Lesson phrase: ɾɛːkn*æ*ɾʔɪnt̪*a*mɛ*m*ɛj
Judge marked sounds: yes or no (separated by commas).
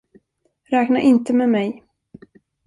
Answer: no, no, yes